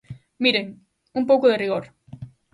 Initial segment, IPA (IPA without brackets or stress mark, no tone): m